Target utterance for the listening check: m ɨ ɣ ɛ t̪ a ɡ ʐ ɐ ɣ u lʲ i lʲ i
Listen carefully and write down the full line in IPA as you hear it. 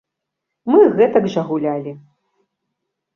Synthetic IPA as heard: m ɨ ɣ ɛ t̪ ɐ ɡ ʐ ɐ ɣ u lʲ a lʲ i